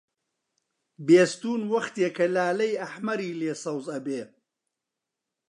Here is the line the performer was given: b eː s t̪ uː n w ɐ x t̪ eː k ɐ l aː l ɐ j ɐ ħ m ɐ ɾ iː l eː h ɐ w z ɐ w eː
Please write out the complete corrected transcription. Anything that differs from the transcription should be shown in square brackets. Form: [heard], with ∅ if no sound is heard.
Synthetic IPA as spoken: b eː s t̪ uː n w ɐ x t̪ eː k ɐ l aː l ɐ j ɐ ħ m ɐ ɾ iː l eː [s] ɐ w z ɐ [b] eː